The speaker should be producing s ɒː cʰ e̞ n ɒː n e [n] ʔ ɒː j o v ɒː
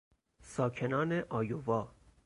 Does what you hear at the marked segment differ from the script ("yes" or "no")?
yes